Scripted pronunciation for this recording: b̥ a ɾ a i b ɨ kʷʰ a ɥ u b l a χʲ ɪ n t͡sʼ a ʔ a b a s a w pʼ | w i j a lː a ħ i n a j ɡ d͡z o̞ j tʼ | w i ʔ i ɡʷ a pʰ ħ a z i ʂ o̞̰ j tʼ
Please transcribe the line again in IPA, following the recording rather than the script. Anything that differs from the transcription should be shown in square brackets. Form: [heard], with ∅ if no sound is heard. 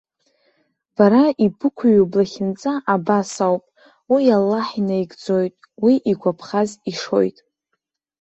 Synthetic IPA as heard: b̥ a ɾ a i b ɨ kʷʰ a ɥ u b l a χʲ ɪ n t͡sʼ a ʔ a b a s a w pʼ | w i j a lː a ħ i n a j ɡ d͡z o̞ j tʼ | w i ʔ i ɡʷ a pʰ [χ] a z i ʂ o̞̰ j tʼ